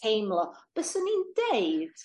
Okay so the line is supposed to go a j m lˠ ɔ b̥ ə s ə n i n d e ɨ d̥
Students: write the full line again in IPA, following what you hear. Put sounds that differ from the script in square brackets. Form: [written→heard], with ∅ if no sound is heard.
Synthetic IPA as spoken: [a→e] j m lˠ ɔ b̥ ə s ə n i n d e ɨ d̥

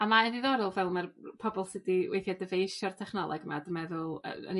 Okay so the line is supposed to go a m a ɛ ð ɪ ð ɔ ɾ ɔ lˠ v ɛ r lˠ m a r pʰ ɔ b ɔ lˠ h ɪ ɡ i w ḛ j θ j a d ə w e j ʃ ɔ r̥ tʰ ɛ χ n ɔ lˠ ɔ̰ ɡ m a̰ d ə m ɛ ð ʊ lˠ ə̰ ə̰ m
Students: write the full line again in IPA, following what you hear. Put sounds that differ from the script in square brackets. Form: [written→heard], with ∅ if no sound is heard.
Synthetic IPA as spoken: a m a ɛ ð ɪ ð ɔ ɾ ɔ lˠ v ɛ [r→∅] lˠ m a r pʰ ɔ b ɔ lˠ [h→s] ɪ [ɡ→d] i w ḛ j θ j a d ə [w→v] e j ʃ ɔ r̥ tʰ ɛ χ n ɔ lˠ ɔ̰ ɡ m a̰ d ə m ɛ ð ʊ lˠ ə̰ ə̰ [m→n]

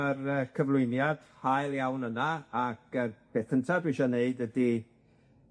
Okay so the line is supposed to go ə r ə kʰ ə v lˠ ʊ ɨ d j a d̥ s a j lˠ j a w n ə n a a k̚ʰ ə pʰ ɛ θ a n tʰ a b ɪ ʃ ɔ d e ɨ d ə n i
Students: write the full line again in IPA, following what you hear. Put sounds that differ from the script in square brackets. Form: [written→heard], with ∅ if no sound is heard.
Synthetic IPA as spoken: ə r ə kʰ ə v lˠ ʊ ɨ [d→n] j a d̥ [s→h] a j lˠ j a w n ə n a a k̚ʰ ə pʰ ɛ θ [a→ə] n tʰ a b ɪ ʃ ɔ [d→n] e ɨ d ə [n→d] i

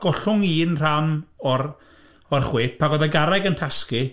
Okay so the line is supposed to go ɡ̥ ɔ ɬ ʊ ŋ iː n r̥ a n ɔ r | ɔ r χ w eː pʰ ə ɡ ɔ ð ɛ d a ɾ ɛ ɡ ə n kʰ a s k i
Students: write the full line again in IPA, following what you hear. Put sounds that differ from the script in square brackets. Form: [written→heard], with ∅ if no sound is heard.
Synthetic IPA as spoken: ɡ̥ ɔ ɬ ʊ ŋ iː n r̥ a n ɔ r | ɔ r χ w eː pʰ [ə→a] ɡ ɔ ð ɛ [d→ɡ] a ɾ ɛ ɡ ə n [kʰ→tʰ] a s k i

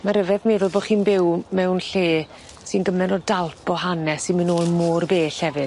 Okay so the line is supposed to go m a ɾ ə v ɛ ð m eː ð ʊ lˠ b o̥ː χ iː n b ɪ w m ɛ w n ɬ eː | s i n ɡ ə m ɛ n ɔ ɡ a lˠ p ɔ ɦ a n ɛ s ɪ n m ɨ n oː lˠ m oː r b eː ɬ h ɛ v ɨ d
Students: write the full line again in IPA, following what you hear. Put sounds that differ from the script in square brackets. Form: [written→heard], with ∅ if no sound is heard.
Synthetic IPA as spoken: m a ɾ ə v ɛ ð m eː ð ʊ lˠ b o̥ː χ iː n b ɪ w m ɛ w n ɬ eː | s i n ɡ ə m ɛ n ɔ [ɡ→d] a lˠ p ɔ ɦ a n ɛ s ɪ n m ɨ n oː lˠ m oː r b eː ɬ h ɛ v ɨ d

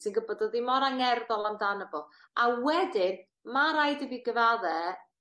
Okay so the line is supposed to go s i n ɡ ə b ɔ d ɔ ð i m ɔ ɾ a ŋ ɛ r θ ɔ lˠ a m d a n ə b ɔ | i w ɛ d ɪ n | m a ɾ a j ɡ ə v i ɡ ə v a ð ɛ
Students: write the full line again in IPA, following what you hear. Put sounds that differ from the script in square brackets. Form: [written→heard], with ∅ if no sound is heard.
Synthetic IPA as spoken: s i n ɡ ə b ɔ d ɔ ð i m ɔ ɾ a ŋ ɛ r [θ→ð] ɔ lˠ a m d a n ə b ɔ | [i→a] w ɛ d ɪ n | m a ɾ a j [ɡ→d] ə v i ɡ ə v a ð ɛ

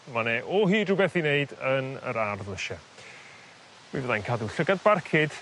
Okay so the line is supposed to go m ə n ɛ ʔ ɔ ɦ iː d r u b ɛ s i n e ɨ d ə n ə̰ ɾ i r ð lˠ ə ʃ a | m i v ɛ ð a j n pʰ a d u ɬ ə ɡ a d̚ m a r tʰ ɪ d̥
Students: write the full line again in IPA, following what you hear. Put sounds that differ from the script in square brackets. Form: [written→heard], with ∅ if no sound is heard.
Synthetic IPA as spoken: m [ə→a] n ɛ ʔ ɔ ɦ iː d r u b ɛ [s→θ] i n e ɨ d ə n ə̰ ɾ [i→a] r ð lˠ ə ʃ a | m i v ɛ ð a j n [pʰ→kʰ] a d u ɬ ə ɡ a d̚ [m→b] a r [tʰ→kʰ] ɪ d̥

